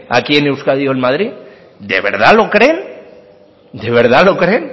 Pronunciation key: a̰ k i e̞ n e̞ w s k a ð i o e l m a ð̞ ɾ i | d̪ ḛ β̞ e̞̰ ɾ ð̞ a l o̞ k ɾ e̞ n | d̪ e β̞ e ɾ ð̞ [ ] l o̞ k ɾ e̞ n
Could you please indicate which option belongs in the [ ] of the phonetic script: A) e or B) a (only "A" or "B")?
B